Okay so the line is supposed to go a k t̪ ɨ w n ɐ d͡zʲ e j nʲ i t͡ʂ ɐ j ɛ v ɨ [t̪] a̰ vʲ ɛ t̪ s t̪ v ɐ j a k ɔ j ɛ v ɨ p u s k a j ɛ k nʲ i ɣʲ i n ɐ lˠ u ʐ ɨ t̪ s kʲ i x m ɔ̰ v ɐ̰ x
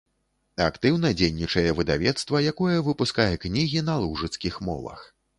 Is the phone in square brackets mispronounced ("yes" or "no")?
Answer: yes